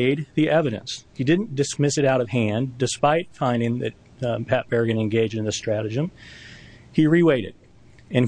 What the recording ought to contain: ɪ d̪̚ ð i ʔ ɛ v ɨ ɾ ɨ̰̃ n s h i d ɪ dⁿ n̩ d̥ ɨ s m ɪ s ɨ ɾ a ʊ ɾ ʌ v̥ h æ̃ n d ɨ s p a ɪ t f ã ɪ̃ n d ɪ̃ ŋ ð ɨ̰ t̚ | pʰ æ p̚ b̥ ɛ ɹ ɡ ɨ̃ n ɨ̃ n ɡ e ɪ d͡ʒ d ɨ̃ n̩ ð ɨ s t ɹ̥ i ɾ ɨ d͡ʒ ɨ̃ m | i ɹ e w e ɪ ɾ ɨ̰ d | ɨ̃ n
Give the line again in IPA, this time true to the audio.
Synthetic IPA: ɪ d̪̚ ð i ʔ ɛ v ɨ ɾ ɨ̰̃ n s h i d ɪ dⁿ n̩ d̥ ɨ s m ɪ s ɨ ɾ a ʊ ɾ ʌ v̥ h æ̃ n d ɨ s p a ɪ t f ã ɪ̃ n d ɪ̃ ŋ ð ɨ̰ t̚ | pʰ æ p̚ b̥ ɛ ɹ ɡ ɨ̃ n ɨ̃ n ɡ e ɪ d͡ʒ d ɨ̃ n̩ ð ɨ s t ɹ̥ æ ɾ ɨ d͡ʒ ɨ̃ m | i ɹ i w e ɪ ɾ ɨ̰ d | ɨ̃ n